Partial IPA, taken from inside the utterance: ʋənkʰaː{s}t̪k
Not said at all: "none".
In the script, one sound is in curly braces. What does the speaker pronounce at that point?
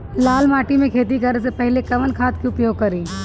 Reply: none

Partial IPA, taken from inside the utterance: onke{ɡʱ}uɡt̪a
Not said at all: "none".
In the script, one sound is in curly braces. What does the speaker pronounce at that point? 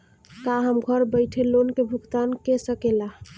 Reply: bʱ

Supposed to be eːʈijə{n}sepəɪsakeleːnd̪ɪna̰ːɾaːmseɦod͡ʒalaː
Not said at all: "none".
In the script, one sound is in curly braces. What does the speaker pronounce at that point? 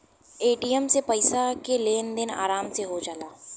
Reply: m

